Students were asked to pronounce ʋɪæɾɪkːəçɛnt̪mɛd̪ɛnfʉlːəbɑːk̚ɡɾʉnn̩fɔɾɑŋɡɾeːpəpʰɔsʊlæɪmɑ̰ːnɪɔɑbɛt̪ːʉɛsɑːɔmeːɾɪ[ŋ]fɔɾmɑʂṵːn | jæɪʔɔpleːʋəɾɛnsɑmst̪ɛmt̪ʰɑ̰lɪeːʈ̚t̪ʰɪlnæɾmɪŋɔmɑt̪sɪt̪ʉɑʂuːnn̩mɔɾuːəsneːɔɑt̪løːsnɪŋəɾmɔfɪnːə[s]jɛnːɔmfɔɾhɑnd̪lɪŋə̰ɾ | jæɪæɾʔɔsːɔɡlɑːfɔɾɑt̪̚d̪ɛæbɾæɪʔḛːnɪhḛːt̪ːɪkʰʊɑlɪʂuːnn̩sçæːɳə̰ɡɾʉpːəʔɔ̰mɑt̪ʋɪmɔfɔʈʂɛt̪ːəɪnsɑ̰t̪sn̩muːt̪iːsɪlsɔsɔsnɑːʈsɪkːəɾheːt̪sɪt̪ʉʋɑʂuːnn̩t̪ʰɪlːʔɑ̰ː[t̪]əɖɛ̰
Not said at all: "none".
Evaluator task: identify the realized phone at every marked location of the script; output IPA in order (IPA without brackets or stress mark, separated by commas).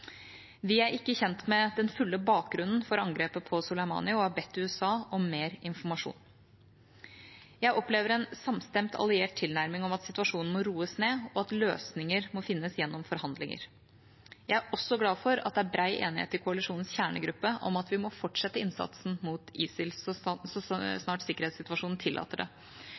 n, s, t̪